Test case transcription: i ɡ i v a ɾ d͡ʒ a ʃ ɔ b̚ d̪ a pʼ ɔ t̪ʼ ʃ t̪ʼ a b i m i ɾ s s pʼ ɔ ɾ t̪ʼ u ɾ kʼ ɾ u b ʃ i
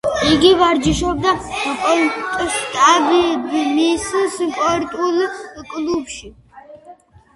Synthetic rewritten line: i ɡ i v a ɾ d͡ʒ i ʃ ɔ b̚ d̪ a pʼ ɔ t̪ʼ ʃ t̪ʼ a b i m i s s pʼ ɔ ɾ t̪ʼ u l kʼ l u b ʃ i